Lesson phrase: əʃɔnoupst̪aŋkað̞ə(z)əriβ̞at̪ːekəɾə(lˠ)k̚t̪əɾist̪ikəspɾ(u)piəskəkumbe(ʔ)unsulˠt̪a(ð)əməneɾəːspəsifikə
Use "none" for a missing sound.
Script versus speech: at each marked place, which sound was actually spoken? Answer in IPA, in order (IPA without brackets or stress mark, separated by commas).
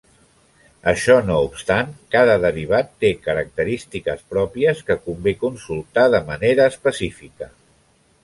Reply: ð, none, ɔ, k, ð